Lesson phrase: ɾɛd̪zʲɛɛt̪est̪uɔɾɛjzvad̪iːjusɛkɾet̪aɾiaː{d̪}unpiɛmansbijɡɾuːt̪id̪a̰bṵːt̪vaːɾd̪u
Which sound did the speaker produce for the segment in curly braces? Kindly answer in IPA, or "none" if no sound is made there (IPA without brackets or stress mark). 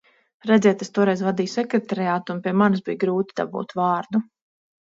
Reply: t̪